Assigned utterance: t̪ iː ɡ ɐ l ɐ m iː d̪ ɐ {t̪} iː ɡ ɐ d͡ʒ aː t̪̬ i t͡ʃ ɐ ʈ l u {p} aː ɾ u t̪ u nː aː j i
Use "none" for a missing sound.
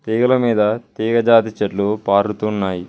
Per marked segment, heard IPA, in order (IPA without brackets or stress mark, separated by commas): t̪, p